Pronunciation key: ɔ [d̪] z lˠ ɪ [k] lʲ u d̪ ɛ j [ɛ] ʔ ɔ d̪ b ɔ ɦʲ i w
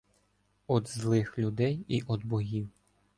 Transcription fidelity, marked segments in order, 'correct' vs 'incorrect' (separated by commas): correct, incorrect, incorrect